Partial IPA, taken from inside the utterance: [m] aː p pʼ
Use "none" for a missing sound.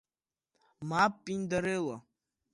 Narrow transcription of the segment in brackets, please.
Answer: m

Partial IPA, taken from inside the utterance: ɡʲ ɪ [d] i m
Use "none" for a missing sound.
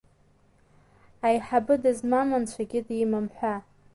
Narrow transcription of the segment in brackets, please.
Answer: d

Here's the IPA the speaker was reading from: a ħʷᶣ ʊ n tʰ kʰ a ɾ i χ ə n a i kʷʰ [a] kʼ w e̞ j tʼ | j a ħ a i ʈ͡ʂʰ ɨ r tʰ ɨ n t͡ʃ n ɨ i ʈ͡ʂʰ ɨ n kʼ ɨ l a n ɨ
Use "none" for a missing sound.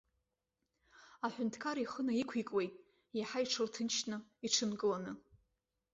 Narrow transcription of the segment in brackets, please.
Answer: i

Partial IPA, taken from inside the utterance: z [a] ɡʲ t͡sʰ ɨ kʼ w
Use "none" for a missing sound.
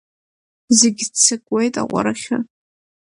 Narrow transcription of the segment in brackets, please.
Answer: e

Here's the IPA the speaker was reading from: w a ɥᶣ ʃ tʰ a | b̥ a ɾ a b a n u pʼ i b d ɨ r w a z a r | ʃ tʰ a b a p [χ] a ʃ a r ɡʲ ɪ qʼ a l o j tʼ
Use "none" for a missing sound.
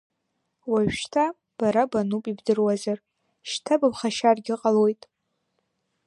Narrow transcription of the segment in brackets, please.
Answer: χ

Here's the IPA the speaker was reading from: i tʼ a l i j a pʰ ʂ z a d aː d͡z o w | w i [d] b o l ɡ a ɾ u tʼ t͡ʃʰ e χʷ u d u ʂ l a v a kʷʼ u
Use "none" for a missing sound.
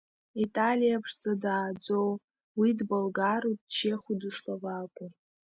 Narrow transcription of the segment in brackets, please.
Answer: d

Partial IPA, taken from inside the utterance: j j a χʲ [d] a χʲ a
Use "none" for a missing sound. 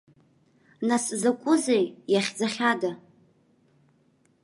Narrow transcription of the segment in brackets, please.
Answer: d͡z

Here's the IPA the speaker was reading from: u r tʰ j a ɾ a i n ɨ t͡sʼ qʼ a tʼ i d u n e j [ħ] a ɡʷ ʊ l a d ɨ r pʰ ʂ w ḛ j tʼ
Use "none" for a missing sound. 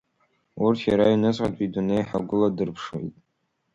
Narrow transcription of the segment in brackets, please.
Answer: ħ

